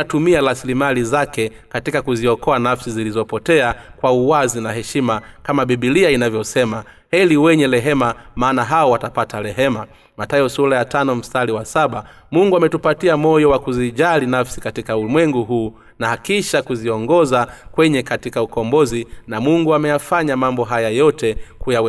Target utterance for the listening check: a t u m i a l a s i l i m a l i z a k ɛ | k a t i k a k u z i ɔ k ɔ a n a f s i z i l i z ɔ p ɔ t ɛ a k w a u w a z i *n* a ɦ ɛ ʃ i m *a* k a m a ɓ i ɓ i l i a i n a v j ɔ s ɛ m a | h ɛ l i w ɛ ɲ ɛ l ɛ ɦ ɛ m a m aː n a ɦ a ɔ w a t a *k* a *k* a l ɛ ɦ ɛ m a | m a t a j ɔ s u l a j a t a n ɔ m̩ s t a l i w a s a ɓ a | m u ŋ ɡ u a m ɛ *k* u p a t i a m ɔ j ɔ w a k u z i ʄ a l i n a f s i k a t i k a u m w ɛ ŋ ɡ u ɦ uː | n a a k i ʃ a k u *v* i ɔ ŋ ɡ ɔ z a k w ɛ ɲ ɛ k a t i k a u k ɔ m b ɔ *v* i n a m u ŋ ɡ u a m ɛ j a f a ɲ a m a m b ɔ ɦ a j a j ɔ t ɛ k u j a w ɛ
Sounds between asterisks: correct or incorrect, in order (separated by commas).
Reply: correct, correct, incorrect, incorrect, incorrect, incorrect, incorrect